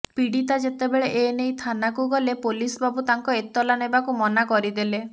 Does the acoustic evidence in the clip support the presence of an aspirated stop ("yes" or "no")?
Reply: yes